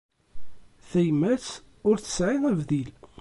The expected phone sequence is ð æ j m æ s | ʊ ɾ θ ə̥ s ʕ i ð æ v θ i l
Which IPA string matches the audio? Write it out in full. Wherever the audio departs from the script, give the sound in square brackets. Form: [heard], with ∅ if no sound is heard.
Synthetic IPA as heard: [θ] æ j m æ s | ʊ ɾ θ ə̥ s ʕ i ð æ v [ð] i l